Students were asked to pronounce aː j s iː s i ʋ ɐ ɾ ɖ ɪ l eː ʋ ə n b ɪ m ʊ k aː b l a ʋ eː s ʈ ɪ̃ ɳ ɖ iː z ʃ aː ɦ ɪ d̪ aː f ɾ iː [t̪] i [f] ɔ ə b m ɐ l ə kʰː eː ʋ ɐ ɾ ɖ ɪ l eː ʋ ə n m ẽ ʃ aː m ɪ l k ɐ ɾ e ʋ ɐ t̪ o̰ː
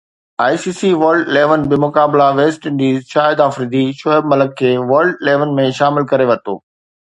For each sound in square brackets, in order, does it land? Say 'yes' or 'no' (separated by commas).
no, no